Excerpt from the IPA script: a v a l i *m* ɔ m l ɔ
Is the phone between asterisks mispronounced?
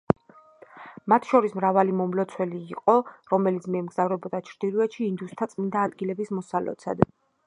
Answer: no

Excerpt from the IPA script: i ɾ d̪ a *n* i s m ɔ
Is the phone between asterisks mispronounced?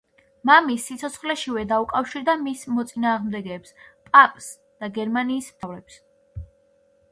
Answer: yes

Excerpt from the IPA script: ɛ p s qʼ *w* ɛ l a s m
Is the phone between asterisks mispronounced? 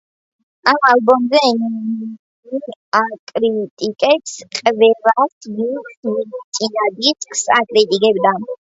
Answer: yes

